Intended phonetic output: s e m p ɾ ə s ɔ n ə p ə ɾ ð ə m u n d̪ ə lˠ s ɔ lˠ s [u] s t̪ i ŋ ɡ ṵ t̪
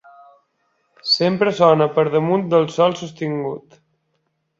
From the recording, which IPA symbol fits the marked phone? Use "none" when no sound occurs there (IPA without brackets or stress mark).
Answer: u